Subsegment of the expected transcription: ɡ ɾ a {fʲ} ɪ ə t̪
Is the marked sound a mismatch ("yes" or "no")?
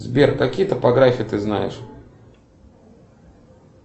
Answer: no